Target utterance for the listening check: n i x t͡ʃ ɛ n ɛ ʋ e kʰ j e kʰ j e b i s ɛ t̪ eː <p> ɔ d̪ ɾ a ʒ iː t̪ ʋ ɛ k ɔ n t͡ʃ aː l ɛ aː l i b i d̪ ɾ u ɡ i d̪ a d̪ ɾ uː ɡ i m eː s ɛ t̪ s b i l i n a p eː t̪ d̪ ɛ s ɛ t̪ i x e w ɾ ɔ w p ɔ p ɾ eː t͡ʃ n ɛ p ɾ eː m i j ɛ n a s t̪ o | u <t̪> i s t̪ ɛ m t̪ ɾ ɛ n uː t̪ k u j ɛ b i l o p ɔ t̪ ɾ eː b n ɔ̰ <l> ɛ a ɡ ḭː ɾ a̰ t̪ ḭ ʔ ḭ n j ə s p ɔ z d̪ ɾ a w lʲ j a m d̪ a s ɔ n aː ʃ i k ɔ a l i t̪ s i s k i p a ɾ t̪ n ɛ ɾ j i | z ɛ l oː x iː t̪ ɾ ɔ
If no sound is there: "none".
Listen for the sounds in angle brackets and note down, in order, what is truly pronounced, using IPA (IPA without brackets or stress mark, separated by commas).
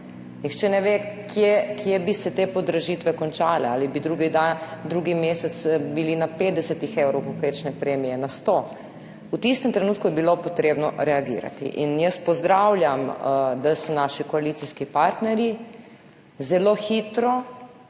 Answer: p, t̪, ɾ